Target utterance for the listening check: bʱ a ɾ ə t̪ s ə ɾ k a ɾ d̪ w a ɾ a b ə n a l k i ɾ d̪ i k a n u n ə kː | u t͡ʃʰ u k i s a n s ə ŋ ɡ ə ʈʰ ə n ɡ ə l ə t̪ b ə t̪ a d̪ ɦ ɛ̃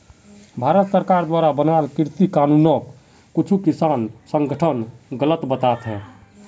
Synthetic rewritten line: bʱ a ɾ ə t̪ s ə ɾ k a ɾ d̪ w a ɾ a b ə n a l k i ɾ t̪ i k a n u n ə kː | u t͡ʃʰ u k i s a n s ə ŋ ɡ ə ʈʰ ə n ɡ ə l ə t̪ b ə t̪ a t̪ ɦ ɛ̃